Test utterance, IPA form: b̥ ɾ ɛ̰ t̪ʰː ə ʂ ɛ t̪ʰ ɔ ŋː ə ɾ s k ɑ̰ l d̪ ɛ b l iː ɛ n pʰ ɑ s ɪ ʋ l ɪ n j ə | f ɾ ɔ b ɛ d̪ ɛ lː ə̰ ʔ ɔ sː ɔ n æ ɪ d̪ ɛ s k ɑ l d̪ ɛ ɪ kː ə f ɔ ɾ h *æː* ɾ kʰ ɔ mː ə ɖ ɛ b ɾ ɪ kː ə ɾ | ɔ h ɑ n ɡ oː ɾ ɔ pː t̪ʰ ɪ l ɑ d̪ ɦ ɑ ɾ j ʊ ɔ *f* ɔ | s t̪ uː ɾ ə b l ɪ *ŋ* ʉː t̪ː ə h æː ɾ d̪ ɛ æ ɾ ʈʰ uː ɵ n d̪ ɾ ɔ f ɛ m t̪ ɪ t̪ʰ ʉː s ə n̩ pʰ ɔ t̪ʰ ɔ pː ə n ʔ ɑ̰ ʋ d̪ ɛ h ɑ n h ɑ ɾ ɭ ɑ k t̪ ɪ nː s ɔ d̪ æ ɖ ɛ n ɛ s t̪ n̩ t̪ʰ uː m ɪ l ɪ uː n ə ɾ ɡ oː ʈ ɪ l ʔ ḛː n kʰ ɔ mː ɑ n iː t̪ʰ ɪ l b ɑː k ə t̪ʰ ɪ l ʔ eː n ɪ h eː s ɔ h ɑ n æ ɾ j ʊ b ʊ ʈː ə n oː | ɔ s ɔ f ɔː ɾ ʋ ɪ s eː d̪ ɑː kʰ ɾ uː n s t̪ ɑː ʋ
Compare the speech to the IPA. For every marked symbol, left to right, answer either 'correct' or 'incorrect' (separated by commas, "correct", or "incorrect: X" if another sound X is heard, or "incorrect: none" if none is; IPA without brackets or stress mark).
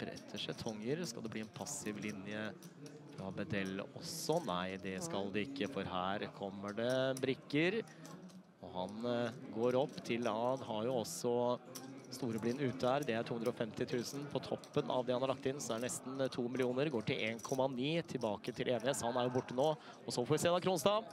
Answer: correct, incorrect: s, incorrect: n